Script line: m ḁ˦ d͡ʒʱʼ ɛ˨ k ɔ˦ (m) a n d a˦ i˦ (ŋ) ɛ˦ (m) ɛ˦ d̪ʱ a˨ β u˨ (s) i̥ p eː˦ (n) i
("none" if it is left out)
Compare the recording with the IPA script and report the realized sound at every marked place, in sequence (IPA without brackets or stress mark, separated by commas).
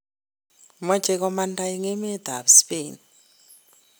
m, ŋ, m, s, n